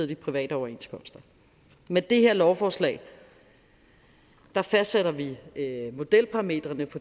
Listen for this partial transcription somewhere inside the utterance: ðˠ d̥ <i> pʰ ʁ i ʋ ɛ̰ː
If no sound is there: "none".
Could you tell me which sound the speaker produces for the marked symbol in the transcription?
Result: i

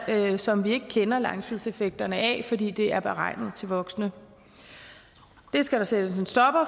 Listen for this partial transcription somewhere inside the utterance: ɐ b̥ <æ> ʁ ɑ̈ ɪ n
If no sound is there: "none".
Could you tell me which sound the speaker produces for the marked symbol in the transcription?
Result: e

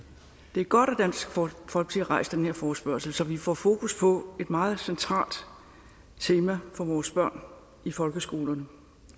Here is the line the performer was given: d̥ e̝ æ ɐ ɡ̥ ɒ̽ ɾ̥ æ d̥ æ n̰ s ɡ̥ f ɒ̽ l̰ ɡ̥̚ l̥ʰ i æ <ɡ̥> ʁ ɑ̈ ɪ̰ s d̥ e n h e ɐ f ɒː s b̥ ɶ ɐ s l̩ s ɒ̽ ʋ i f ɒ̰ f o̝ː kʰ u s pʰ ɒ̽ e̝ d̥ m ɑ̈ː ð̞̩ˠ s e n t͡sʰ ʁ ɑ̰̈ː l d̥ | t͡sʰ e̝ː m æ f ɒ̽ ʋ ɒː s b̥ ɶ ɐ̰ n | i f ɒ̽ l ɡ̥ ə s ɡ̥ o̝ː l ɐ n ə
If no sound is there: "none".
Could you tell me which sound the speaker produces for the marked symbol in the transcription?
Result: none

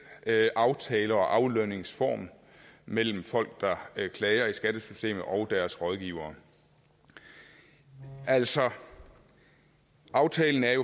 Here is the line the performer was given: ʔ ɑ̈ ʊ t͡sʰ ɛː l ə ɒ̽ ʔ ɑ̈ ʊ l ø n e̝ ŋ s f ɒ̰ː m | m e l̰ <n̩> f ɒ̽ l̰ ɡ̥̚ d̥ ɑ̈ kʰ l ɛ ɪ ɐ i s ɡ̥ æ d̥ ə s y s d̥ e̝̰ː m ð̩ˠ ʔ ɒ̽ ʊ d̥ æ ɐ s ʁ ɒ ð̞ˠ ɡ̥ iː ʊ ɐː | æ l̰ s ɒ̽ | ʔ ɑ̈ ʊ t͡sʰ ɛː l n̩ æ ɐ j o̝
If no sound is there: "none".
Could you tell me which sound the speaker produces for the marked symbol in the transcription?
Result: m̩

